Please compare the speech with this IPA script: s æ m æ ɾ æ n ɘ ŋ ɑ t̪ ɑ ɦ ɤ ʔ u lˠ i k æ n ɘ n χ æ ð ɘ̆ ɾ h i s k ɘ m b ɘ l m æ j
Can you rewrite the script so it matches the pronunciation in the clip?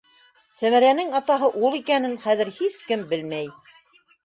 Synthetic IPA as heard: s æ m æ ɾ æ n ɘ ŋ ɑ t̪ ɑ ɦ ɤ ʔ u lˠ i k æ n ɘ n χ æ ð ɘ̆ ɾ h i s k ɘ m b ɘ l m æ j